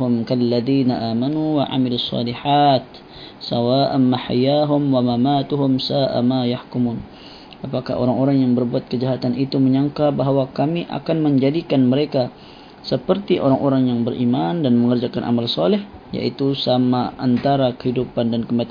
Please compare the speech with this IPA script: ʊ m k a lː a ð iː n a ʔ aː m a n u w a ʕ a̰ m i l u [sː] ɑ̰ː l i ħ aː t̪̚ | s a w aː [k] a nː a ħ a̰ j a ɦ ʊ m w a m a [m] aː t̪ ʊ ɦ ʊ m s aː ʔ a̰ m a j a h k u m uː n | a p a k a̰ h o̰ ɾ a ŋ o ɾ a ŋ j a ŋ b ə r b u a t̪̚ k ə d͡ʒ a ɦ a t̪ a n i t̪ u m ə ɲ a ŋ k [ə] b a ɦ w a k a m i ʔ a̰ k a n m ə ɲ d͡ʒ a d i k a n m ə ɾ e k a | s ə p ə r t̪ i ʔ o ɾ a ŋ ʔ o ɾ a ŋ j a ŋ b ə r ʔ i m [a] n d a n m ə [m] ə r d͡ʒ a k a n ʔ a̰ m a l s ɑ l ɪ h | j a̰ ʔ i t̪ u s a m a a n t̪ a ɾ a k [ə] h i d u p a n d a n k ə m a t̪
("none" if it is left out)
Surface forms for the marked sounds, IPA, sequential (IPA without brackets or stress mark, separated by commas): sː, ʔ, m, a, a, ŋ, ə